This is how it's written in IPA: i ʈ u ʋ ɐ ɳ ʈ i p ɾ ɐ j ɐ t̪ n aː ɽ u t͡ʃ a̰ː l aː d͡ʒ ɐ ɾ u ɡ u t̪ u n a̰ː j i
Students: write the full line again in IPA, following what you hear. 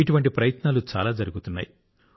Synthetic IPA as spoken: i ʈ u ʋ ɐ ɳ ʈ i p ɾ ɐ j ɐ t̪ n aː l u t͡ʃ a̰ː l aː d͡ʒ ɐ ɾ u ɡ u t̪ u nː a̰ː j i